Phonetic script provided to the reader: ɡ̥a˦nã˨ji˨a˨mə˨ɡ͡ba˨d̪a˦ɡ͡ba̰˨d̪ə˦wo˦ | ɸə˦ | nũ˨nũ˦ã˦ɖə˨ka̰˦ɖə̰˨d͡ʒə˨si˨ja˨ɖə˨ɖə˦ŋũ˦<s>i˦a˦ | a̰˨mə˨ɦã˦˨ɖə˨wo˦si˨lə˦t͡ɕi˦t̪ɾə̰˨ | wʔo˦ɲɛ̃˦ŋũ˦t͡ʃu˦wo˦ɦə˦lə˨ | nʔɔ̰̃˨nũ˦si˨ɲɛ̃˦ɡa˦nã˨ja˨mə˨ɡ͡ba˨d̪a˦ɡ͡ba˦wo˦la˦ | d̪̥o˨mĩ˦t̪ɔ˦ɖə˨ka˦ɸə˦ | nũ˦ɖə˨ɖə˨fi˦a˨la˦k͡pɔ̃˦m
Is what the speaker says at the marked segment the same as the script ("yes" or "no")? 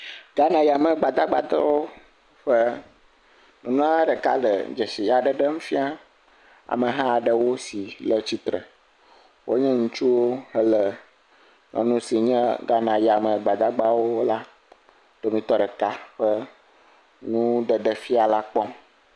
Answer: no